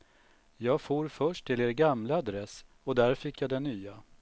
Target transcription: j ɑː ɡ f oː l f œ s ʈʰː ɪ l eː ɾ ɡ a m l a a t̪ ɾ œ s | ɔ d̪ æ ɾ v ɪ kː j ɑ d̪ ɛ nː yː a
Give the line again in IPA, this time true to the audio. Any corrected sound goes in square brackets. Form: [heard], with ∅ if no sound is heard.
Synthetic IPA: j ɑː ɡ f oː [ɾ] f œ [ʂ] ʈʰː ɪ l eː ɾ ɡ a m l a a [d̪] ɾ [ɛ] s | ɔ d̪ æ ɾ [f] ɪ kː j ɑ d̪ ɛ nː yː a